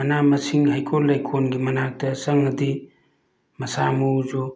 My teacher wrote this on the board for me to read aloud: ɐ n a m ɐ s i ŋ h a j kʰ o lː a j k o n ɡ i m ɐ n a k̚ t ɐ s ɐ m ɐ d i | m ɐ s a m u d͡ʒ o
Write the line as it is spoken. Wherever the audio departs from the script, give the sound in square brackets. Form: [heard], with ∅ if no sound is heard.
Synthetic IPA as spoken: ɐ n a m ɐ s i ŋ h a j kʰ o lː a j [kʰ] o n ɡ i m ɐ n a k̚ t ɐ s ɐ [ŋ] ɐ d i | m ɐ s a m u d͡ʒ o